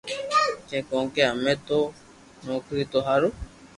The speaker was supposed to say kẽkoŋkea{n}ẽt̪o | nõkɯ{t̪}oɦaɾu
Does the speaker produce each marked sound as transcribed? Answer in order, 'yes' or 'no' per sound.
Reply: no, yes

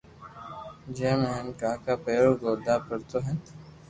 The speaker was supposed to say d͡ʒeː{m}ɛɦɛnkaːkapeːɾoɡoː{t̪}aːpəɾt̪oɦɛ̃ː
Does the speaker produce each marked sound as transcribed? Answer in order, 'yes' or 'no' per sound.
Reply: yes, no

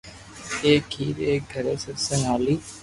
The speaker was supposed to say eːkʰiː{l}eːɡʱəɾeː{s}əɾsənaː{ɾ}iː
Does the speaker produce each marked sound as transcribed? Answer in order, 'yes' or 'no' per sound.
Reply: no, yes, no

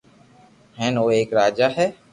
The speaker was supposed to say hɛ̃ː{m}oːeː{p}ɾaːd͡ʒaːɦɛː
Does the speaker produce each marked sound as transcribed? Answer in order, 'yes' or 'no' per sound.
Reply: no, no

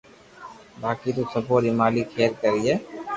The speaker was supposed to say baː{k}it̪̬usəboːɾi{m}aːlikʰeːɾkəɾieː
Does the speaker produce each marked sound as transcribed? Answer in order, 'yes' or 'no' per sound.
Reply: yes, yes

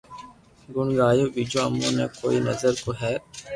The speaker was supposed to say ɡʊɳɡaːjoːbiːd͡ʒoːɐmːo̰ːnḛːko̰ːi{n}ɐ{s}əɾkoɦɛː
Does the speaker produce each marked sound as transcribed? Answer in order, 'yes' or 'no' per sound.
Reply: yes, no

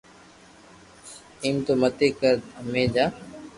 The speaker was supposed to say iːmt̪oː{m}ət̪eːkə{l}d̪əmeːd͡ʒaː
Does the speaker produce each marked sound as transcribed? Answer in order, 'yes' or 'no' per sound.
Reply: yes, no

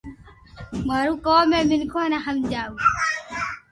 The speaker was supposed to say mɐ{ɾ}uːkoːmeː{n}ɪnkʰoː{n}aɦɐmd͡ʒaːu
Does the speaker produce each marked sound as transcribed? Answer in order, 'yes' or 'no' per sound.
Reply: yes, no, yes

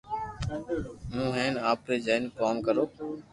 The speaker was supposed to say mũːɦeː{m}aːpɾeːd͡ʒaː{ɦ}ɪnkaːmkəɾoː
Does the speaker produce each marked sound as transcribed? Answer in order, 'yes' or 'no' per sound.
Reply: no, no

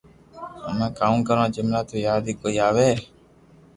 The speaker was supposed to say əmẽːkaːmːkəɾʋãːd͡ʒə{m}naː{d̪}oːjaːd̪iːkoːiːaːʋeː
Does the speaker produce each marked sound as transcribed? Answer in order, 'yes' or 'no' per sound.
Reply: yes, no

